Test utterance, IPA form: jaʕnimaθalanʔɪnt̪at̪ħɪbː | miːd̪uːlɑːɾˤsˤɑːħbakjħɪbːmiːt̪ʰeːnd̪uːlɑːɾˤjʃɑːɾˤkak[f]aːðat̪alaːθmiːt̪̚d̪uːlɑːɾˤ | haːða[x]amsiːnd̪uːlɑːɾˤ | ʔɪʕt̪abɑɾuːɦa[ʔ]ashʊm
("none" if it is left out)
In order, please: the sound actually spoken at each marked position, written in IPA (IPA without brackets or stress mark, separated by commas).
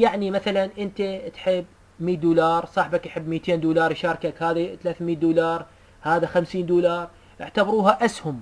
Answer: h, x, ʔ